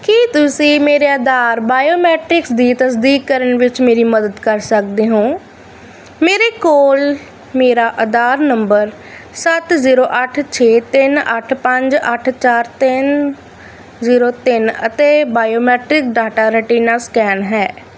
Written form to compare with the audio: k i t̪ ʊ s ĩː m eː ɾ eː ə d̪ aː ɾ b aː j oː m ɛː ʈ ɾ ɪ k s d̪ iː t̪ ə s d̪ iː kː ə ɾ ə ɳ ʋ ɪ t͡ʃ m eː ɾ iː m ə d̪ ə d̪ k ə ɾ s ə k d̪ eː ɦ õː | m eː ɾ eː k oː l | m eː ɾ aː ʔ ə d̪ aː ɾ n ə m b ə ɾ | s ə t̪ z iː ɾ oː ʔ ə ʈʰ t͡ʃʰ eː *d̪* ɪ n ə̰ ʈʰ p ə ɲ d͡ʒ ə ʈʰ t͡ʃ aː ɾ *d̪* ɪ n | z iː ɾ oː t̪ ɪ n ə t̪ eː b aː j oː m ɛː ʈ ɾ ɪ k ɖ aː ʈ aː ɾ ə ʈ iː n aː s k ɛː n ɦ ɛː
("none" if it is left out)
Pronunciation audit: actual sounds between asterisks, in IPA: t̪, t̪

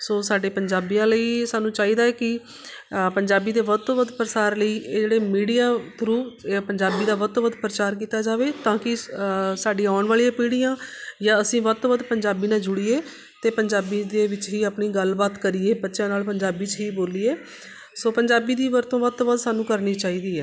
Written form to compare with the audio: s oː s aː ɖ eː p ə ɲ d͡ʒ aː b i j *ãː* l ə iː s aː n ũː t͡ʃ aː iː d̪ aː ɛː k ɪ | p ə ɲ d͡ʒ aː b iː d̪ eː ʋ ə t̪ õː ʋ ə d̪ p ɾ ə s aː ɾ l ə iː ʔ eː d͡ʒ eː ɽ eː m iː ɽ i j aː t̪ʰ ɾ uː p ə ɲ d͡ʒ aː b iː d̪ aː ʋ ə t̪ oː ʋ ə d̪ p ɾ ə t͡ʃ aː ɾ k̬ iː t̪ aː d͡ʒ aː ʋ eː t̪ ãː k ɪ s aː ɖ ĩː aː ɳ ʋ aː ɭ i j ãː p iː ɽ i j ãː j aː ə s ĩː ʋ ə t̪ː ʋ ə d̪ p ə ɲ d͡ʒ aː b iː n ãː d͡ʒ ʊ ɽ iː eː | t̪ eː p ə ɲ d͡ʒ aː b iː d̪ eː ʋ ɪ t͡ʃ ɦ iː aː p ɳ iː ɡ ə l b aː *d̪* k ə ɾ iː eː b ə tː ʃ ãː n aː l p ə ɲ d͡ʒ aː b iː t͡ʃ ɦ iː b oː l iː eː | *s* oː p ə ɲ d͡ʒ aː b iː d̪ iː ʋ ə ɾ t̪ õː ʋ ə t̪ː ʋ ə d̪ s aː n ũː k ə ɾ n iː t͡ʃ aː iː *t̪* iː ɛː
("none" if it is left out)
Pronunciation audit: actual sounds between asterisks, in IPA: ãː, t̪, s, d̪

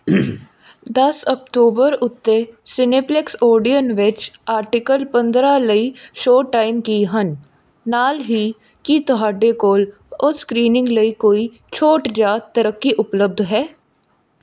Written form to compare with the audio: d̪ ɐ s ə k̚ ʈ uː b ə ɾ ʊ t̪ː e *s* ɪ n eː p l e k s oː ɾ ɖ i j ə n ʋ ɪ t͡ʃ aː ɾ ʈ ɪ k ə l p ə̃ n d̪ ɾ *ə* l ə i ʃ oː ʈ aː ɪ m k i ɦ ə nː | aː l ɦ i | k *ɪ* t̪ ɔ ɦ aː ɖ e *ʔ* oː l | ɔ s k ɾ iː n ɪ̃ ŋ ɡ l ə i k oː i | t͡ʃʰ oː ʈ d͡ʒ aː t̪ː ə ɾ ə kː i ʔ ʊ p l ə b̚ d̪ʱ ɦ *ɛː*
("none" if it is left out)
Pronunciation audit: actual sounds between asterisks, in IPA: s, a, i, k, ɛː

